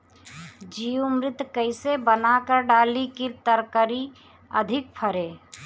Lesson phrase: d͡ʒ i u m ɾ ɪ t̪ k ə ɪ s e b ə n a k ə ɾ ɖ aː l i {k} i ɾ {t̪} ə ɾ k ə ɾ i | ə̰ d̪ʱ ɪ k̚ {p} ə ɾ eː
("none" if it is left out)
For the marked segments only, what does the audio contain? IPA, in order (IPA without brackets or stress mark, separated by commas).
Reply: k, t̪, pʰ